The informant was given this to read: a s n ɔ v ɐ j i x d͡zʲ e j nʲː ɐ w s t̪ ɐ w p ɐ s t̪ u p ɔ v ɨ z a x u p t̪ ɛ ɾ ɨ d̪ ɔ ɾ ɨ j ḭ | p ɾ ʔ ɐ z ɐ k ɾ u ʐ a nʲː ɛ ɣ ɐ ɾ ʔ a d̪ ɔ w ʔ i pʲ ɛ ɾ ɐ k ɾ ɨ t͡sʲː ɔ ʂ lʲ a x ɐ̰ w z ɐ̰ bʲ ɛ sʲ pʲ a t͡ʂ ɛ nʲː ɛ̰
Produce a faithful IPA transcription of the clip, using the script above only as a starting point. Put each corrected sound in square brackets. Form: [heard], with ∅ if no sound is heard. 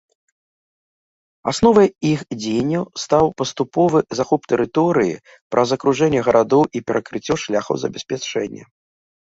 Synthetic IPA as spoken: a s n ɔ v ɐ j i x d͡zʲ e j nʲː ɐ w s t̪ [a] w p ɐ s t̪ u p ɔ v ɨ z a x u p t̪ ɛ ɾ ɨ [t̪] ɔ ɾ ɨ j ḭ | p ɾ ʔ ɐ z ɐ k ɾ u ʐ [ɛ] nʲː ɛ ɣ ɐ ɾ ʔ a d̪ ɔ w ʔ i pʲ ɛ ɾ ɐ k ɾ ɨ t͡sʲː ɔ ʂ lʲ a x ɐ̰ w z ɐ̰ bʲ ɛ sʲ pʲ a t͡ʂ ɛ nʲː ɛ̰